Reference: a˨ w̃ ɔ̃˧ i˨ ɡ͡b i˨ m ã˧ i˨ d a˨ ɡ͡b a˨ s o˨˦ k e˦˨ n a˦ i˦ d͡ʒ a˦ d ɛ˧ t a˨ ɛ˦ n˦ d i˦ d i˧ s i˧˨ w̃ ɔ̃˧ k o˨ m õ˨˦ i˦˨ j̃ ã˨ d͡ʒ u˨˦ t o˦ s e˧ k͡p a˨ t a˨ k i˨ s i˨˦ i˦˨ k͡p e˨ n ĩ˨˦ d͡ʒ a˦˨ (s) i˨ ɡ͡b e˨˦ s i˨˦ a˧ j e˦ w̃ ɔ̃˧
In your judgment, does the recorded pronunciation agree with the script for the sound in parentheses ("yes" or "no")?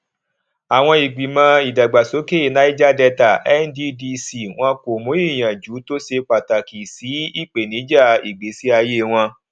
no